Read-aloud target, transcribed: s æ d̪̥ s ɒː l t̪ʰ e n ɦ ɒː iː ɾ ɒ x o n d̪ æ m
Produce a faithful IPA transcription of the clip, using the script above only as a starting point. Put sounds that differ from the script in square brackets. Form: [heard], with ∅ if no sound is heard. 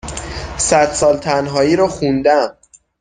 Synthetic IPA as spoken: s æ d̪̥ s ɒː l t̪ʰ [æ] n ɦ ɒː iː ɾ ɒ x [u] n d̪ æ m